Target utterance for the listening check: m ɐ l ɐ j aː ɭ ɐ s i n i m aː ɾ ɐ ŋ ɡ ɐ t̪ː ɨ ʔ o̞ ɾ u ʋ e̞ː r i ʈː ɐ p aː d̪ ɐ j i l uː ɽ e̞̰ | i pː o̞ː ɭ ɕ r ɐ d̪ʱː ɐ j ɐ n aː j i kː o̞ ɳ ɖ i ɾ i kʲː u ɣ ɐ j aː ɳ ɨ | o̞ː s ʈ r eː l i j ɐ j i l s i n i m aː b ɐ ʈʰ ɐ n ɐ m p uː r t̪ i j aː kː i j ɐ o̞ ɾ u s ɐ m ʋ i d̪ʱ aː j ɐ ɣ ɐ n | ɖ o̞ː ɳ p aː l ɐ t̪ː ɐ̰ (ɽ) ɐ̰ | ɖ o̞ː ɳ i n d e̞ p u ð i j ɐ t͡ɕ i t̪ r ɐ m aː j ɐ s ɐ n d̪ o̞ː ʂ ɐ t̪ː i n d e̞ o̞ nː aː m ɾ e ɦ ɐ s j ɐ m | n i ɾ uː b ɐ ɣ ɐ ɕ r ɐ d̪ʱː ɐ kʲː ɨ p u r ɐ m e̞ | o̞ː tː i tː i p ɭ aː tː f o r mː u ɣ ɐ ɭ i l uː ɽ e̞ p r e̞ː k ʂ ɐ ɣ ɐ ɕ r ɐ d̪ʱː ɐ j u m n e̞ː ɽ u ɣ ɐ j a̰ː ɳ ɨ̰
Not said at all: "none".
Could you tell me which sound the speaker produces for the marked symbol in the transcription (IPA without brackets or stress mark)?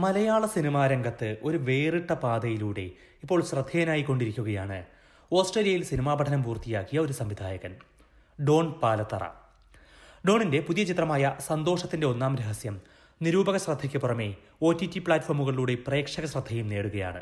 r